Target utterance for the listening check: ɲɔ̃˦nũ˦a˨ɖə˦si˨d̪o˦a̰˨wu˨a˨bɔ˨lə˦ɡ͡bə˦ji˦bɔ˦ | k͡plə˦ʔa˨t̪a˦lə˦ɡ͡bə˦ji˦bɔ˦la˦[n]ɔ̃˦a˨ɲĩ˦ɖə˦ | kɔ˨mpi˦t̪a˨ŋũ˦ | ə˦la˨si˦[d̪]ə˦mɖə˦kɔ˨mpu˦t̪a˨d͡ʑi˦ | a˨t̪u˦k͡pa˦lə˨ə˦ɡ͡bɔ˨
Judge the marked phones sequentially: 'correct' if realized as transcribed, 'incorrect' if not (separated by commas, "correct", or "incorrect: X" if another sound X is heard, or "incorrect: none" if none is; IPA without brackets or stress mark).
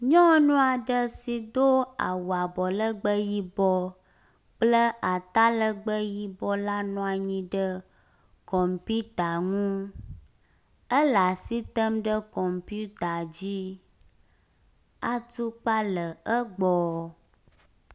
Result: correct, incorrect: t̪